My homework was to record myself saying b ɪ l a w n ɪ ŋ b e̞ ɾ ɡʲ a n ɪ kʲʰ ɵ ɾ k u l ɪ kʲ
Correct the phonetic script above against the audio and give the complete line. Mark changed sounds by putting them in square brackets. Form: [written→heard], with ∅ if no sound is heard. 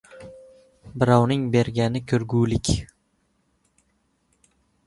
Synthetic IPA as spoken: b ɪ [l→ɾ] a w n ɪ ŋ b e̞ ɾ ɡʲ a n ɪ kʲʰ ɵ ɾ [k→ɡ] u l ɪ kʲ